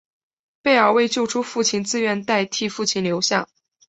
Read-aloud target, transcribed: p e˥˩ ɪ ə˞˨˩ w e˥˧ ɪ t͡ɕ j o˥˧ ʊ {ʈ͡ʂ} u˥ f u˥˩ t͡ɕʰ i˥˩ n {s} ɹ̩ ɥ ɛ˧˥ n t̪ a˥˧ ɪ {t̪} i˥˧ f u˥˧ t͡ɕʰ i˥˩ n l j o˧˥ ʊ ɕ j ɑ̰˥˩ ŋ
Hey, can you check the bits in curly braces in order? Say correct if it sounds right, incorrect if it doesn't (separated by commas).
incorrect, incorrect, incorrect